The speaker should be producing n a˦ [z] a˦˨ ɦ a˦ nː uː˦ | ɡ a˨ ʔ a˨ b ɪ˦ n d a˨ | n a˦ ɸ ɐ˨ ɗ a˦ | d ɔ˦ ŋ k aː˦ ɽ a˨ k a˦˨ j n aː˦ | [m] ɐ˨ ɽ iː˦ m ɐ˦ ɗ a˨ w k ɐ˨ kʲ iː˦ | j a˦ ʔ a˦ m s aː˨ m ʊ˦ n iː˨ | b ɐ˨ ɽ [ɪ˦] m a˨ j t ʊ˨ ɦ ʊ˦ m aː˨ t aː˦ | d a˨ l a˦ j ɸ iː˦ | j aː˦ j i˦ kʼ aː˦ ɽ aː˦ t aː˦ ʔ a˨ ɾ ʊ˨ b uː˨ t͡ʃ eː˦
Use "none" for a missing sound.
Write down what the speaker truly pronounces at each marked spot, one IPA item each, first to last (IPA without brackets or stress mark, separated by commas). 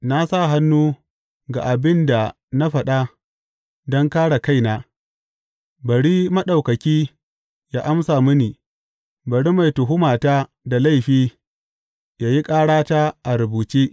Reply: s, b, i˦